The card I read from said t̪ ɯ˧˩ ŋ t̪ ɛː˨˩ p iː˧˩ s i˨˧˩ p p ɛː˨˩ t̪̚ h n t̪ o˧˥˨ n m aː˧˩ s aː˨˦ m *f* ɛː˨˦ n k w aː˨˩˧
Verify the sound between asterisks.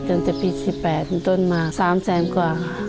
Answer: incorrect: s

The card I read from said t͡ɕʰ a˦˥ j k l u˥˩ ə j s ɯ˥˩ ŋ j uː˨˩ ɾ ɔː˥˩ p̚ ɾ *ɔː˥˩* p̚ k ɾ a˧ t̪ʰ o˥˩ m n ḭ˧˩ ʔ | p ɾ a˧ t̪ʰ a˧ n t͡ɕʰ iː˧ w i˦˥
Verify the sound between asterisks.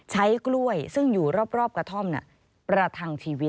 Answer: correct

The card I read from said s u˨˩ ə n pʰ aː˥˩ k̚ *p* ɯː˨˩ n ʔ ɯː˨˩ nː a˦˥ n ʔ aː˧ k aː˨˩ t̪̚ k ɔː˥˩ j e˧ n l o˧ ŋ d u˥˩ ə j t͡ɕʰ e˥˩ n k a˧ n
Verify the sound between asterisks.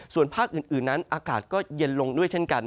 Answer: incorrect: ʔ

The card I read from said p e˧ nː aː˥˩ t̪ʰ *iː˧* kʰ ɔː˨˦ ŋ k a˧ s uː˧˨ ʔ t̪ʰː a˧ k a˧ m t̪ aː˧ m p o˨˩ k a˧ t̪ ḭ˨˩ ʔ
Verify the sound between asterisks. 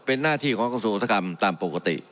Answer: incorrect: iː˥˩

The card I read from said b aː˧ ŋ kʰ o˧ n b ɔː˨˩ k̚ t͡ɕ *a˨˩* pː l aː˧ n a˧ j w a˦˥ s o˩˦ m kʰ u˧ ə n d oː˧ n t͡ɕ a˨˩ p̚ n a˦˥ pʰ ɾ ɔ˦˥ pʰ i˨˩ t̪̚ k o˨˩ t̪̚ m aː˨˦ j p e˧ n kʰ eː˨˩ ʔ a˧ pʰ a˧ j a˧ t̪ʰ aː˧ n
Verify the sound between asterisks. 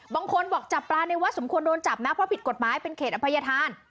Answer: correct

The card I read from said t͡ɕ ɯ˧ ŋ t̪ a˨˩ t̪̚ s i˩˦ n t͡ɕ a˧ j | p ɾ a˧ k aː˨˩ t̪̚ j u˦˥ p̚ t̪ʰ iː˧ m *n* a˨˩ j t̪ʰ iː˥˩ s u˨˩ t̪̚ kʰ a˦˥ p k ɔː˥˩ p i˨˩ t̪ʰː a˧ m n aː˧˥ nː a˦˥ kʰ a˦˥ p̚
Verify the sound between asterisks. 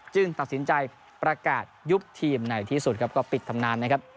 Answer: correct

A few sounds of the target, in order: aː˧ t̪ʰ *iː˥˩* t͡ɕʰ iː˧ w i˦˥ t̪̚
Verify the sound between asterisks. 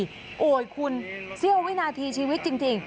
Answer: incorrect: iː˧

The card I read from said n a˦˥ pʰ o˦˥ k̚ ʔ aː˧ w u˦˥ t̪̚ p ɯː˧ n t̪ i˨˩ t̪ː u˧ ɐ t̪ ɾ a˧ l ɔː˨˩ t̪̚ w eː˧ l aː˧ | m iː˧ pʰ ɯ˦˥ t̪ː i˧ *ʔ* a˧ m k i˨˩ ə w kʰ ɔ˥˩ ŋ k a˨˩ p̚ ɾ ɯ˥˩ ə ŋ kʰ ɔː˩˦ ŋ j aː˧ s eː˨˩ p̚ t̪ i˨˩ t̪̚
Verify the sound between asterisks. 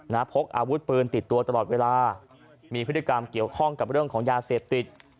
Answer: incorrect: k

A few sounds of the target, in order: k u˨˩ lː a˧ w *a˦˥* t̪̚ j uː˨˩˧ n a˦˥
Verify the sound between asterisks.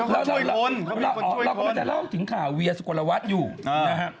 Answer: correct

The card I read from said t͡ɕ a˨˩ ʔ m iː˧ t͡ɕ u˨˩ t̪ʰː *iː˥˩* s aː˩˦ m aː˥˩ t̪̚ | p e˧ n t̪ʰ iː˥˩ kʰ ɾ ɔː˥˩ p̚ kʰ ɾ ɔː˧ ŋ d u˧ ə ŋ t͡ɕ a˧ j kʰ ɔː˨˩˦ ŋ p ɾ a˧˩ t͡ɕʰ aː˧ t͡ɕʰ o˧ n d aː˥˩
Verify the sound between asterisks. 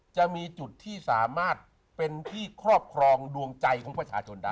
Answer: correct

